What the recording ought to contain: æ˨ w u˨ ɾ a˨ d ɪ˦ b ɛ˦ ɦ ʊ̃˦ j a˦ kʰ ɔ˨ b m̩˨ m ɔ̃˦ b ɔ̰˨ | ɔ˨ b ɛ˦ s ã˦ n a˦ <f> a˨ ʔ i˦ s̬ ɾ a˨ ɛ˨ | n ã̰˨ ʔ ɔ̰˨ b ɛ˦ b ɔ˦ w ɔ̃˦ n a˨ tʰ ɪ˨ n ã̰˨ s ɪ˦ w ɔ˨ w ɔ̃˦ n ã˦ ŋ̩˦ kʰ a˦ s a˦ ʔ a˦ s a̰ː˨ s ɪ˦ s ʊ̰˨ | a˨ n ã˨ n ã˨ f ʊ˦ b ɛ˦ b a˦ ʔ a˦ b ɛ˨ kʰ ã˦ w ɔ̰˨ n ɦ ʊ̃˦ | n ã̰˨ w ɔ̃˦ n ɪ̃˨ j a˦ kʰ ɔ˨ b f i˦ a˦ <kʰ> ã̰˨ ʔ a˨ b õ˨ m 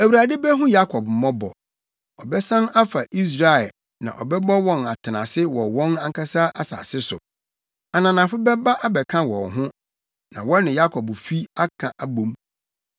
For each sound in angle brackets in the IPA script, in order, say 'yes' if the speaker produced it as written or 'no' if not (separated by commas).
yes, yes